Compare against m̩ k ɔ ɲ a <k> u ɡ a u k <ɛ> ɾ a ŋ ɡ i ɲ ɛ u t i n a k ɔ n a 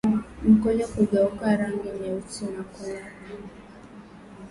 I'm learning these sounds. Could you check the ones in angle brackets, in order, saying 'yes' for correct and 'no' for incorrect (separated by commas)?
yes, no